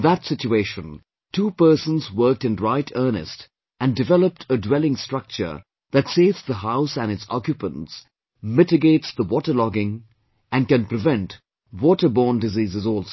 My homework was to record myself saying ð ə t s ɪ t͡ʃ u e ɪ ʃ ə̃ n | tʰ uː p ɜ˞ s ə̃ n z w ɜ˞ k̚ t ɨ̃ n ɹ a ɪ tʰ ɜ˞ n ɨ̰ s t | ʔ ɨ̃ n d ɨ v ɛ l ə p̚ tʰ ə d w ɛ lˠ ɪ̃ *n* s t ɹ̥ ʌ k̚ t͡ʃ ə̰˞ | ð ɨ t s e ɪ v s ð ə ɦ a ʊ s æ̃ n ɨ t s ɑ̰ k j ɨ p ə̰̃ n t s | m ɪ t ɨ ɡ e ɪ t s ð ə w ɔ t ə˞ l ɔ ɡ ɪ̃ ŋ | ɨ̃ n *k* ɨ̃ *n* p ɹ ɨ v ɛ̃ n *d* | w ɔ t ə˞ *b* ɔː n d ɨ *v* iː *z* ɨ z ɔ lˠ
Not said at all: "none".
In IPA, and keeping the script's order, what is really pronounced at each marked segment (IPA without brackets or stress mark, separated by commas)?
ŋ, k, n, t, b, z, z